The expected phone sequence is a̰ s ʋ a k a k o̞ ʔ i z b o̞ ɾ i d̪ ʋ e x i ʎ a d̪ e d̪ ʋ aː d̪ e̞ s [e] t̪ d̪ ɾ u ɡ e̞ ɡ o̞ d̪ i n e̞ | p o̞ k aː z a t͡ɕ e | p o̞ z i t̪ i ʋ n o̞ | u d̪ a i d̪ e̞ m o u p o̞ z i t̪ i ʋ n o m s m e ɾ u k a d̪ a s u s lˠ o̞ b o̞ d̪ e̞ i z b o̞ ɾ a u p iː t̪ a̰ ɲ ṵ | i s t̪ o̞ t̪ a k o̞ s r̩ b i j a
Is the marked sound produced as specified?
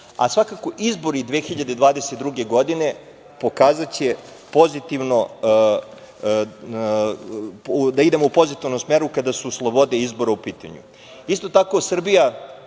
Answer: yes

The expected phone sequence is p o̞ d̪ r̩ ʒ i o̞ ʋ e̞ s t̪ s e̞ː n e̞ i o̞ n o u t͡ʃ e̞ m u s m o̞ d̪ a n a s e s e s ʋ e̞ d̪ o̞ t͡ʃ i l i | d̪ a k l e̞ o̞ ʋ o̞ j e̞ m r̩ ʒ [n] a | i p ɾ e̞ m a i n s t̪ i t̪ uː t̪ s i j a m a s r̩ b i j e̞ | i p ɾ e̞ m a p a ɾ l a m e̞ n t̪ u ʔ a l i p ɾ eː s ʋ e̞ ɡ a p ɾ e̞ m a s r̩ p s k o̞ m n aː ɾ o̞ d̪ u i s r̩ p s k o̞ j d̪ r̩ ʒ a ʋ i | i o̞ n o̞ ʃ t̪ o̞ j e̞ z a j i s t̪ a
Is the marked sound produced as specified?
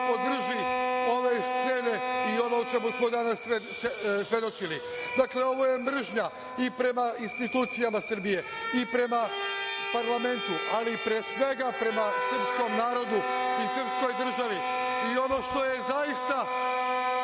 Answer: no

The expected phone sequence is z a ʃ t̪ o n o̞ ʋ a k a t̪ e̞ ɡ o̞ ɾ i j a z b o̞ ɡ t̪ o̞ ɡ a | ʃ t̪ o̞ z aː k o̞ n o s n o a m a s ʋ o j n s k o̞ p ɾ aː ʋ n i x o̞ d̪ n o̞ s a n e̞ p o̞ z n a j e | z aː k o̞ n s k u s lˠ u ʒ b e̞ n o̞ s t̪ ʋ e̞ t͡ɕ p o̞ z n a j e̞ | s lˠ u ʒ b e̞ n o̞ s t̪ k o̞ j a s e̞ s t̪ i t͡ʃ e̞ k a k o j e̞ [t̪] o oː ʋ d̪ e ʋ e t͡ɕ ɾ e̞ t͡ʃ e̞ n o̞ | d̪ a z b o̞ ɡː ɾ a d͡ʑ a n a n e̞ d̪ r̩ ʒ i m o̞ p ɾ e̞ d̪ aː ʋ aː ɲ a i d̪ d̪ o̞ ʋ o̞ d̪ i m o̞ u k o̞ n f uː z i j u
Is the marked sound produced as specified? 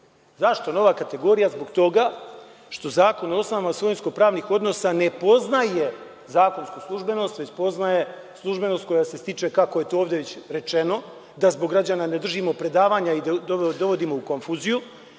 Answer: yes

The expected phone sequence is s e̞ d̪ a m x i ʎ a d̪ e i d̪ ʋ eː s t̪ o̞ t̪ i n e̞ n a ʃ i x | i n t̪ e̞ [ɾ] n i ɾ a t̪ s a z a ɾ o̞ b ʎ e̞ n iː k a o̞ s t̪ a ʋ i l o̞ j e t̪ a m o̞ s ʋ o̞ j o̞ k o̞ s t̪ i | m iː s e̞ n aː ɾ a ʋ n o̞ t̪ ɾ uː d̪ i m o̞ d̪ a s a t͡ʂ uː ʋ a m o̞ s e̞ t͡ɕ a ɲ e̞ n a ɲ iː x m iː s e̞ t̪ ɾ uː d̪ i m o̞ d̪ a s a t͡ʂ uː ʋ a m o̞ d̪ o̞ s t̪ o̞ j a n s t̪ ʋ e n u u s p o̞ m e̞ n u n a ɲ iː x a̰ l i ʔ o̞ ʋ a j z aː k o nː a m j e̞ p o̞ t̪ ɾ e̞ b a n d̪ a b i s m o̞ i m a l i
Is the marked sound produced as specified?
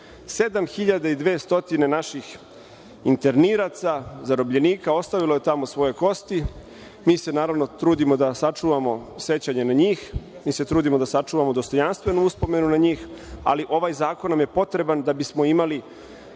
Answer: yes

